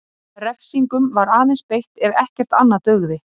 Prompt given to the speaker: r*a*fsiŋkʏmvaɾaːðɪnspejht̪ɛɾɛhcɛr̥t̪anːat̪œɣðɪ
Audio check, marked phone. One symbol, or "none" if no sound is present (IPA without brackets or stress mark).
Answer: ɛ